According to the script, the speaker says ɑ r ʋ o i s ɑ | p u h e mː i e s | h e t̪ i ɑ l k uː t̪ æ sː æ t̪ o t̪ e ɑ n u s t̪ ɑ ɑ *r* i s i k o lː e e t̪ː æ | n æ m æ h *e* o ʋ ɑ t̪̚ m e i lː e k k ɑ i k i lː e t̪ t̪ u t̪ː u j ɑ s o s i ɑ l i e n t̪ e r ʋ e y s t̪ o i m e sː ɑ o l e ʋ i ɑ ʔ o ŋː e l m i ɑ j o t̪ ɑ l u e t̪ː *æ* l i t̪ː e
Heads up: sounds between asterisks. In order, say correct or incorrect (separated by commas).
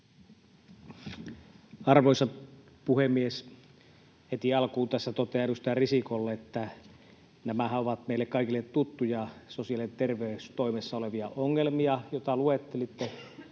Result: correct, incorrect, incorrect